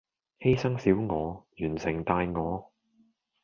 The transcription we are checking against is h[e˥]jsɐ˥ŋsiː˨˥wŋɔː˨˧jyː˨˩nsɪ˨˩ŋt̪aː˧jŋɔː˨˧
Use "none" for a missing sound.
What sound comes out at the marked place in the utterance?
e˥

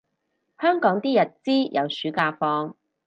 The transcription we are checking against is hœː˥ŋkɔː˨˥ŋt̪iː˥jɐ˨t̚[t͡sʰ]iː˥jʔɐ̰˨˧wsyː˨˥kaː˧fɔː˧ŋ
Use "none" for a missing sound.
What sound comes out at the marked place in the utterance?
t͡s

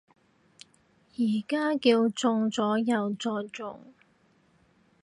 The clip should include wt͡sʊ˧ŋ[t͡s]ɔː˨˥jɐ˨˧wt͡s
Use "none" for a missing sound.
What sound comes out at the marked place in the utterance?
t͡s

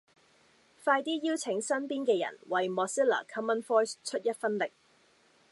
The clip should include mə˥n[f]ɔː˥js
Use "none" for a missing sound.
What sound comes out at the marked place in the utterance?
f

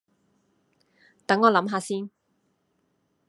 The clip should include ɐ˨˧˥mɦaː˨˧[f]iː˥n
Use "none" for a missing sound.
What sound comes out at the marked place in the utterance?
s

